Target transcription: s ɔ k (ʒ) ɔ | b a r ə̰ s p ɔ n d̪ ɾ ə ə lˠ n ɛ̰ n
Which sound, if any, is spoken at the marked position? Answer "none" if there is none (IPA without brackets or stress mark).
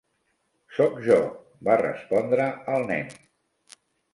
ʒ